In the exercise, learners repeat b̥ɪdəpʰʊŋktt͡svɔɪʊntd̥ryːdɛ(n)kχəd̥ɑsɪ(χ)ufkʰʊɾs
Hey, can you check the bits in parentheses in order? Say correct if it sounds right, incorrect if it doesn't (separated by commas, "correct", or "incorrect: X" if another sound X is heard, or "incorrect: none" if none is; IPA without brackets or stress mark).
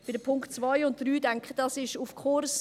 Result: incorrect: ŋ, incorrect: ʃ